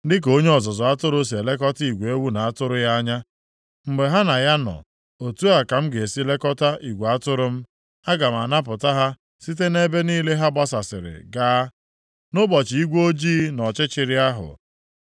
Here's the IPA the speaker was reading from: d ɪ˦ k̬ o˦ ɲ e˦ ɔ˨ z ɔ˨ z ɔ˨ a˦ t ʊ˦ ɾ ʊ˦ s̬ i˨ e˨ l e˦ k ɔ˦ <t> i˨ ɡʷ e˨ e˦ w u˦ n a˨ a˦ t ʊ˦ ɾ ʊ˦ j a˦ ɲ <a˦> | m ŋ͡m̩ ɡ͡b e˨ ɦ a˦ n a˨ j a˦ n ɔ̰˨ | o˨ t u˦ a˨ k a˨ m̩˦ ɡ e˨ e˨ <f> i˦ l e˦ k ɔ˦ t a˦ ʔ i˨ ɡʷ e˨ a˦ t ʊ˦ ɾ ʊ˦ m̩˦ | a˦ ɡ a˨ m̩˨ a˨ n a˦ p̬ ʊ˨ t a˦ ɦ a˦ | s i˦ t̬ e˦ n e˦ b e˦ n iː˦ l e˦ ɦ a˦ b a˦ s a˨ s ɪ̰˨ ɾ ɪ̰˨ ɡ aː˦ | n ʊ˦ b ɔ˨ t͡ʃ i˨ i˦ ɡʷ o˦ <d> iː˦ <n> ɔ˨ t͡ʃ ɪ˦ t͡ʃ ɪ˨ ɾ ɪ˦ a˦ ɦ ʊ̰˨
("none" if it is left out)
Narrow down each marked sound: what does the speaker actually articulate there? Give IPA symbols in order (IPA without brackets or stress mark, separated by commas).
t, a˦, s, d͡ʒ, n